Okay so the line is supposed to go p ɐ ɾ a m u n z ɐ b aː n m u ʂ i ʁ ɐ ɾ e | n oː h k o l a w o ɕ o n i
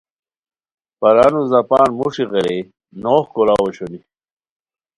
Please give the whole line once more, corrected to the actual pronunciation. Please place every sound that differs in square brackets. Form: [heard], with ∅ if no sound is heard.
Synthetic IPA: p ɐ ɾ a [n] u [∅] z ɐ [p] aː n m u ʂ i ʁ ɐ ɾ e | n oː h k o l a w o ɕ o n i

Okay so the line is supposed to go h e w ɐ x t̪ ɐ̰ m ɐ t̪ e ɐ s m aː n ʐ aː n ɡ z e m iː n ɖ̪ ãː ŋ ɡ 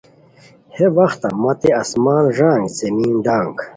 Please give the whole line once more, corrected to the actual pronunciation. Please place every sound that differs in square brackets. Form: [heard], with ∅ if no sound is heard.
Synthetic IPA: h e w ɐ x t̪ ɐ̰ m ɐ t̪ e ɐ s m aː n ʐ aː [ŋ] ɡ z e m iː n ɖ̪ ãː ŋ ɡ

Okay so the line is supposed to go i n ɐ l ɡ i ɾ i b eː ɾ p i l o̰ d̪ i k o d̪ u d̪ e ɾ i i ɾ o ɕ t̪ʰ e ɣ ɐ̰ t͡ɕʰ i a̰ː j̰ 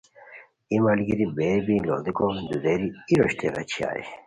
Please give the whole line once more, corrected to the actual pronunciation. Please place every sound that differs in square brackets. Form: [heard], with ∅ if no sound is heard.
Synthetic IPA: i [m] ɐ l ɡ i ɾ i b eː ɾ [b] i l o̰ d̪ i k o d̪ u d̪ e ɾ i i ɾ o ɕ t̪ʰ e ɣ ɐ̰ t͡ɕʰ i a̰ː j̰

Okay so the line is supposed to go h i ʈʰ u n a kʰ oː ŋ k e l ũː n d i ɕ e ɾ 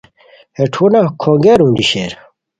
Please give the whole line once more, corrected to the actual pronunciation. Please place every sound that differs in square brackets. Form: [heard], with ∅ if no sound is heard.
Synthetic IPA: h [e] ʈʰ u n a kʰ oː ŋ [ɡ] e [ɾ] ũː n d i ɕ e ɾ

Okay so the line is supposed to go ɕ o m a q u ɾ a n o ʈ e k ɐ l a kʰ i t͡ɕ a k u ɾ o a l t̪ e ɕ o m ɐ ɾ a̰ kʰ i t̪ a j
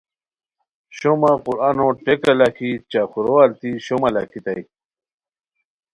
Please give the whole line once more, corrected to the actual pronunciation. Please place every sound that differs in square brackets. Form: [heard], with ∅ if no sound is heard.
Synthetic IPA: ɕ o m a q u ɾ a n o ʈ e k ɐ l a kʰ i t͡ɕ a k u ɾ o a l t̪ [i] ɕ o m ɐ [l] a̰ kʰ i t̪ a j

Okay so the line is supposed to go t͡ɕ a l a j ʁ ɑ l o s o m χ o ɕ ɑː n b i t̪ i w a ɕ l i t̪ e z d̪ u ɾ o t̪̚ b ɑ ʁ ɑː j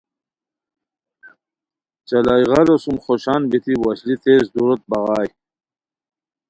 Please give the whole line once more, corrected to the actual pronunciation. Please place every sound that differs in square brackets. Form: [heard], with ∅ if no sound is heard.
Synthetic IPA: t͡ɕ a l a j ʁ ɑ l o s [u] m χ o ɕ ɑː n b i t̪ i w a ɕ l i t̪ e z d̪ u ɾ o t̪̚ b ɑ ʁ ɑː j

